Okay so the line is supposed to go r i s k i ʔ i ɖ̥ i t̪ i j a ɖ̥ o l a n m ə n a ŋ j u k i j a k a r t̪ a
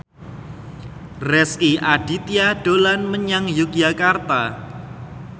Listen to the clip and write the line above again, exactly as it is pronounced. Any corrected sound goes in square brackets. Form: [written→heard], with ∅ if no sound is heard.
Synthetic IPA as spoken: r [i→ɛ] s k i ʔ [i→a] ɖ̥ i t̪ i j a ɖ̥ o l a n m ə [n→ɲ] a ŋ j u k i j a k a r t̪ a